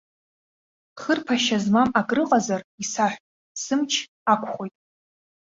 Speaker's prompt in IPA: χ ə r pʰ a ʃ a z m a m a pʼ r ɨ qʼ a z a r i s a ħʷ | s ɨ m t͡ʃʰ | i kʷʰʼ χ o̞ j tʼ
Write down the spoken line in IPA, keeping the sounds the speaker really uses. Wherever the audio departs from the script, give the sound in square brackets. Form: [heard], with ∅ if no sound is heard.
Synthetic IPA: χ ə r pʰ a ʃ a z m a m a [kʼ] r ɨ qʼ a z a r i s a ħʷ | s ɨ m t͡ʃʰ | [a] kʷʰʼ χ o̞ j tʼ